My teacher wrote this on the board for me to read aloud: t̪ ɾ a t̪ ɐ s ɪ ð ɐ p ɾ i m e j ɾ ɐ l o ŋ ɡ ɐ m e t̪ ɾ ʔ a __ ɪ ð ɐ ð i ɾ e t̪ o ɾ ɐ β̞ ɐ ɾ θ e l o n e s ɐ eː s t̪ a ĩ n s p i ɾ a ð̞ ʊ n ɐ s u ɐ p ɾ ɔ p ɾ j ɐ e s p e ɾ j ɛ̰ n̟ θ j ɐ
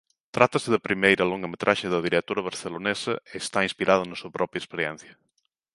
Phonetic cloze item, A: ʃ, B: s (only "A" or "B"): A